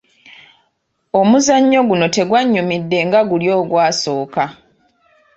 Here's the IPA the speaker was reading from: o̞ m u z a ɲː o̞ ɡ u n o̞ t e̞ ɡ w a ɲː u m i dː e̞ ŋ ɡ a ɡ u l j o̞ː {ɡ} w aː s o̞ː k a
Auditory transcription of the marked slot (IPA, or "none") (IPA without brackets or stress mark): ɡ